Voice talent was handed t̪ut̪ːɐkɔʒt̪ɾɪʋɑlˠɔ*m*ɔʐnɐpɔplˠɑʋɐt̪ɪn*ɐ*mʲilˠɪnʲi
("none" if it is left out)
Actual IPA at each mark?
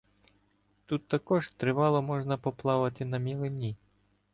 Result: m, ɐ

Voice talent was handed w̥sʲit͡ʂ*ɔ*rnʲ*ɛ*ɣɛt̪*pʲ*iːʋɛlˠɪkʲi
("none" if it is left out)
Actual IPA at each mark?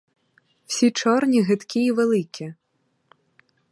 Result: ɔ, i, kʲ

